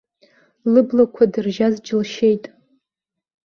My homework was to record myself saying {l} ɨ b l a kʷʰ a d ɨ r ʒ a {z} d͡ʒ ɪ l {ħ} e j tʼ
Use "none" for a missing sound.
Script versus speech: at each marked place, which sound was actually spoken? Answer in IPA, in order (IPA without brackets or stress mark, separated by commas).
l, z, ʃ